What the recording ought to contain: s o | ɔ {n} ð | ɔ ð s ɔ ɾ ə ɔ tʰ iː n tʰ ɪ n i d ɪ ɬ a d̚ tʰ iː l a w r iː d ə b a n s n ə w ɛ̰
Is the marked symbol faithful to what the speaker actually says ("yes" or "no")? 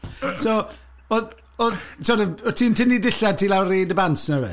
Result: no